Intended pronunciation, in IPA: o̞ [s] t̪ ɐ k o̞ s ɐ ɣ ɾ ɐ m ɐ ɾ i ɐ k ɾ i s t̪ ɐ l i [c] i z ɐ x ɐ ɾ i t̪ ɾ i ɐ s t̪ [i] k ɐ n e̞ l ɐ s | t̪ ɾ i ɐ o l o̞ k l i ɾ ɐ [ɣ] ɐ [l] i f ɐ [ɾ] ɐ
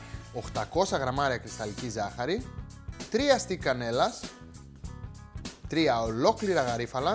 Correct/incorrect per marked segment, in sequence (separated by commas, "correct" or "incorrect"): incorrect, correct, correct, correct, incorrect, incorrect